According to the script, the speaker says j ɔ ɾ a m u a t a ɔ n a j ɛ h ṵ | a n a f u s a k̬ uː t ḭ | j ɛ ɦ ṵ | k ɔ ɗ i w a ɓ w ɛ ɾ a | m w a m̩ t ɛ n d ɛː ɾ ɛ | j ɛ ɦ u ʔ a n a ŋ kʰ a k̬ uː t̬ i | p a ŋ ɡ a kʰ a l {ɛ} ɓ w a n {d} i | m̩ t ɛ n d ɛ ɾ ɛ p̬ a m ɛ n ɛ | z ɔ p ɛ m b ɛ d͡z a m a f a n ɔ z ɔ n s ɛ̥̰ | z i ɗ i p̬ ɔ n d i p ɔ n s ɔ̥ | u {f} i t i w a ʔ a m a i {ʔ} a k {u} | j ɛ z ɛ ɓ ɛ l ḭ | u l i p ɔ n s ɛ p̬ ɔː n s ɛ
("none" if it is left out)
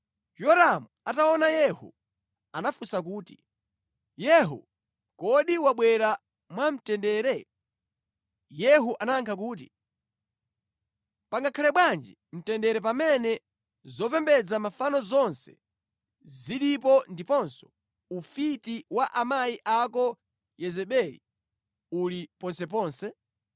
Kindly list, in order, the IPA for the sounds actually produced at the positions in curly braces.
ɛ, d͡ʒ, f, ʔ, ɔ

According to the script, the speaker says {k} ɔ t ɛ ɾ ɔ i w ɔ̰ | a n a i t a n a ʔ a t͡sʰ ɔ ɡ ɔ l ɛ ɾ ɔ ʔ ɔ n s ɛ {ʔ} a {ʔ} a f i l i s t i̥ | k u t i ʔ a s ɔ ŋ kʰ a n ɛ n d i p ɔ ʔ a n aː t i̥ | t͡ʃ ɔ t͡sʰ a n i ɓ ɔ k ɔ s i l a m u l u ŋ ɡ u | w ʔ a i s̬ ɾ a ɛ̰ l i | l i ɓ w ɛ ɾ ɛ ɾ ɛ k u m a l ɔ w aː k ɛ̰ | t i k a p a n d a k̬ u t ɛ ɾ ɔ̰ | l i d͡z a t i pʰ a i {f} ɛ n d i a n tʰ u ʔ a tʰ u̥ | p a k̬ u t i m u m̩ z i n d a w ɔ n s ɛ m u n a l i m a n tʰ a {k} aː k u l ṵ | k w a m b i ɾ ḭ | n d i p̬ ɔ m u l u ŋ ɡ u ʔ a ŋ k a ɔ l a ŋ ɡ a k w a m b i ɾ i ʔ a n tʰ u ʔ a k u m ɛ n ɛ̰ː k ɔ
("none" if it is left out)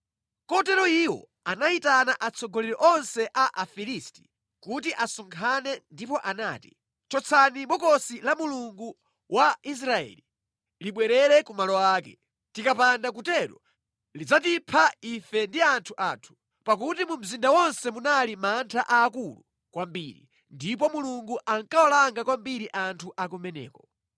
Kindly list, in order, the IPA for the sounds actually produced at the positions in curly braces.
k, ʔ, ʔ, f, ʔ

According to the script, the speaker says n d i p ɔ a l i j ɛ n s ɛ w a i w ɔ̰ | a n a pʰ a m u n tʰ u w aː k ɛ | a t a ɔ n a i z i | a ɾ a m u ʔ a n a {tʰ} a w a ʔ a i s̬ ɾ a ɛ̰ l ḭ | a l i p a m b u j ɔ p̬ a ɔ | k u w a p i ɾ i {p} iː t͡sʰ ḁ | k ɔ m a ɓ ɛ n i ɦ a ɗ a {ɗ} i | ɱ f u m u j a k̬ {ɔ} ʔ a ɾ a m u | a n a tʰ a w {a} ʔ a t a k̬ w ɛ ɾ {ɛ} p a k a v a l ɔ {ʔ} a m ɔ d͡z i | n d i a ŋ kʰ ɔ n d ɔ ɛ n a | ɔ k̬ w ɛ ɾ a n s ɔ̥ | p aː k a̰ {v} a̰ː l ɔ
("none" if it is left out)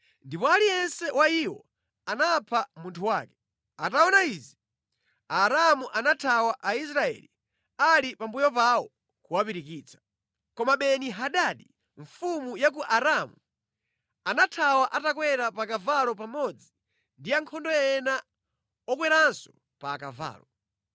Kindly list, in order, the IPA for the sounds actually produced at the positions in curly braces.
tʰ, k, ɗ, u, a, a, p, v

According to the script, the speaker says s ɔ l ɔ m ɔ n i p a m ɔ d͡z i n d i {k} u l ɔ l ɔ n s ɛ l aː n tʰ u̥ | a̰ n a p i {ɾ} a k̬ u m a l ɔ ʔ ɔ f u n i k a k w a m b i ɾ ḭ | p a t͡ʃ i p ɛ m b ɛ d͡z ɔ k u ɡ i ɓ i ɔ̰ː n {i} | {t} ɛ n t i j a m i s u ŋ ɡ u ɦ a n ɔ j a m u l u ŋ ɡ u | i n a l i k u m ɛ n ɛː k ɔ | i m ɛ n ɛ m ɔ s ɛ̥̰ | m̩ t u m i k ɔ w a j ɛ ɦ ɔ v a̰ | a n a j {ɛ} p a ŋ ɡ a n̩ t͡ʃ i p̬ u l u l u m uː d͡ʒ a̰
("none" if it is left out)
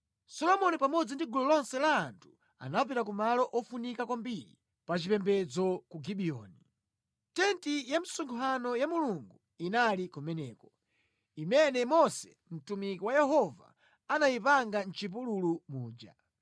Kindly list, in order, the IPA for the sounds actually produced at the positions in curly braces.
ɡ, ɾ, i, t, i

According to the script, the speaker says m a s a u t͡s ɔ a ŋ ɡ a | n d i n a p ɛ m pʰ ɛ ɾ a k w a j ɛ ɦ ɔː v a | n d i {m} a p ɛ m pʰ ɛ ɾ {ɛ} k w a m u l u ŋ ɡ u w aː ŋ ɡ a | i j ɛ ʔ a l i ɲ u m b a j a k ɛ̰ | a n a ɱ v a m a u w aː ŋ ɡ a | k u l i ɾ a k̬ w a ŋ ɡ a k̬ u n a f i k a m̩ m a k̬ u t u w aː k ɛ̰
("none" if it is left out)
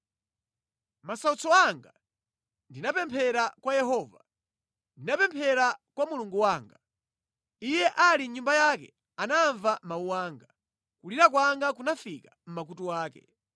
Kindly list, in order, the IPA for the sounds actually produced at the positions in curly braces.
n, a

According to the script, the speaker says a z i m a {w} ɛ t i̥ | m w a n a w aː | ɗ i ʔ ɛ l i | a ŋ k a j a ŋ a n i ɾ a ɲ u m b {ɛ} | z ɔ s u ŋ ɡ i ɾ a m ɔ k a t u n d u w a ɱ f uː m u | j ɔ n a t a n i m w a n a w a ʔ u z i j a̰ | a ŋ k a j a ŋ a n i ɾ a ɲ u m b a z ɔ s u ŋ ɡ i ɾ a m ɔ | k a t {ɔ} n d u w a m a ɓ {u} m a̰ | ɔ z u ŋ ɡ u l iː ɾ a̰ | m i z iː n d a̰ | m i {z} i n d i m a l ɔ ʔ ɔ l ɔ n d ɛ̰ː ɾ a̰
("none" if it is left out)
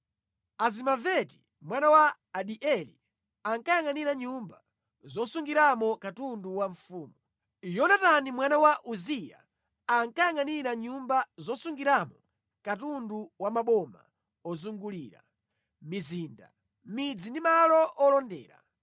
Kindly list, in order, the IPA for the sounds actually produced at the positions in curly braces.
v, a, u, ɔ, d͡z

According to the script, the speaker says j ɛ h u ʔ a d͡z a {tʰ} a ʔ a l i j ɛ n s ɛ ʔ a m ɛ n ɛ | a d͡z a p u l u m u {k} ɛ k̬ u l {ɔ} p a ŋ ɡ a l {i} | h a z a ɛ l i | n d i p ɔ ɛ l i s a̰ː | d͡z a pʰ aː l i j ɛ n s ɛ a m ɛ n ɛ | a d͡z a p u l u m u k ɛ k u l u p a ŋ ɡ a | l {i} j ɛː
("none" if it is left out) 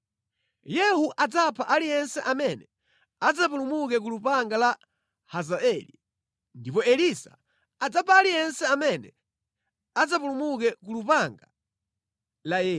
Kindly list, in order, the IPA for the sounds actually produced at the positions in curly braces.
pʰ, k, u, a, a

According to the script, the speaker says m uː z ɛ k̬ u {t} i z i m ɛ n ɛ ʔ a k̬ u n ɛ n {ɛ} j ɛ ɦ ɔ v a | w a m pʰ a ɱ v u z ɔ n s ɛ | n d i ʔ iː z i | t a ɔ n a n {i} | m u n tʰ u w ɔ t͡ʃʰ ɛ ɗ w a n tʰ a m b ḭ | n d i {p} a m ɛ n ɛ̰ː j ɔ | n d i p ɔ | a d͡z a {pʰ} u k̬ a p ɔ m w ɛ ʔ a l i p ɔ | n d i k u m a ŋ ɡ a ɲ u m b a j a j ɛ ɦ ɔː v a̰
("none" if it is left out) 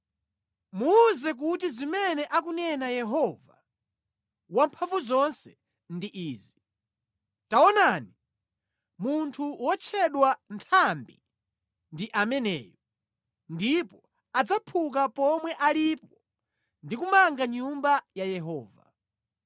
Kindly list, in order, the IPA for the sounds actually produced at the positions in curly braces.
t, a, i, ʔ, pʰ

